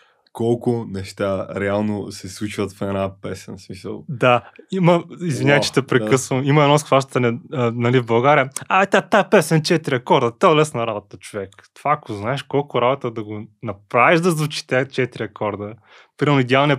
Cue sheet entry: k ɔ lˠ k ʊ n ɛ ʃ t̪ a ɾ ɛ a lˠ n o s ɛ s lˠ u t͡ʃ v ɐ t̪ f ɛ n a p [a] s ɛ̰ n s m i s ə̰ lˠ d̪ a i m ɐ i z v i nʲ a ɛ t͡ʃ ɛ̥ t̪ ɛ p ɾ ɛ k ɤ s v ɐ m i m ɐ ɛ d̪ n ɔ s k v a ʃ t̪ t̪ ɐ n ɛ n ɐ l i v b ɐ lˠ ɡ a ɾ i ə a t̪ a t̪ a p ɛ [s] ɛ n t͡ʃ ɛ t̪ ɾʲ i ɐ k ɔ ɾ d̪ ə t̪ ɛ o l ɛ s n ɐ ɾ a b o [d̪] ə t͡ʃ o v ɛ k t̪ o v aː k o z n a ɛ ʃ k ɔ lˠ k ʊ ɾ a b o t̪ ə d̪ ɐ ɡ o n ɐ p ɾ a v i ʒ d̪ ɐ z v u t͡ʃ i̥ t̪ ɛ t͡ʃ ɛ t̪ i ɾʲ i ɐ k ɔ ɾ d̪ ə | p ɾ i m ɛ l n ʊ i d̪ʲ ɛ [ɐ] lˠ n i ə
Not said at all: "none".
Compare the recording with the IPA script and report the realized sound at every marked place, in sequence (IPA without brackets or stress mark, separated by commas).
ɛ, s, t̪, a